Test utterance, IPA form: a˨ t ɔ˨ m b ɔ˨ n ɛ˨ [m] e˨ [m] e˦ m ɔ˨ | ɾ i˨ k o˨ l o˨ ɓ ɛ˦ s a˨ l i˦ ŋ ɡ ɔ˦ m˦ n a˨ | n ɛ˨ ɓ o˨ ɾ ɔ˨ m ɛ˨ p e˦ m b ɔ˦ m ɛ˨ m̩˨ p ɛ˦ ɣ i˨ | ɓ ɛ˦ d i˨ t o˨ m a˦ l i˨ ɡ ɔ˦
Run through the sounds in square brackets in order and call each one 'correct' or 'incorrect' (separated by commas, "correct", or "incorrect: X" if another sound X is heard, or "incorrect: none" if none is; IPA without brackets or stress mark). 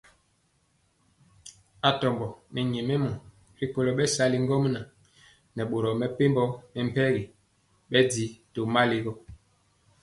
incorrect: ɲ, correct